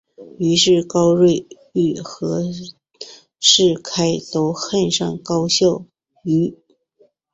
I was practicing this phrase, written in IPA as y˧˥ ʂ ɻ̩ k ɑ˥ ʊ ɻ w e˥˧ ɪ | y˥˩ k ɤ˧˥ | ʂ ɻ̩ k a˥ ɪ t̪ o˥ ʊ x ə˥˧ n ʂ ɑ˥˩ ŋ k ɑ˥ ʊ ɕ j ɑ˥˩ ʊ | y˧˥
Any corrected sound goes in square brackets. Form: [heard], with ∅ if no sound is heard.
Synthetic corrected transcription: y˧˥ ʂ ɻ̩ k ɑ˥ ʊ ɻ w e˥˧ ɪ | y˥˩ [x] ɤ˧˥ | ʂ ɻ̩ [kʰ] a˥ ɪ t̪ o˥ ʊ x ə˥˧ n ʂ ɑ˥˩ ŋ k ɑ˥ ʊ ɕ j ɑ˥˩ ʊ | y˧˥